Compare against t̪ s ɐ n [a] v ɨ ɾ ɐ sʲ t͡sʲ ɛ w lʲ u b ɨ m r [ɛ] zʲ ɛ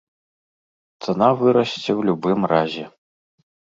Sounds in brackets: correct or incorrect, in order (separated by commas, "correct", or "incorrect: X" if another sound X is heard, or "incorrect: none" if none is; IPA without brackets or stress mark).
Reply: correct, incorrect: a